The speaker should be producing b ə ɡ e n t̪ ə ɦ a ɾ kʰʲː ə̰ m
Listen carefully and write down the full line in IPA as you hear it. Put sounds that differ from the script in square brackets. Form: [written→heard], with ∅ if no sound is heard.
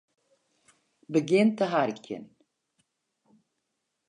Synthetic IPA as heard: b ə ɡ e n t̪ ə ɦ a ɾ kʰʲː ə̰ [m→n]